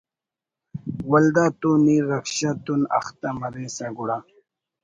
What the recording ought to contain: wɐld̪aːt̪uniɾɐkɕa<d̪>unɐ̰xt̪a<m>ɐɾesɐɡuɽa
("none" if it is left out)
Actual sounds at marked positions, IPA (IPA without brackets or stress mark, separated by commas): t̪, m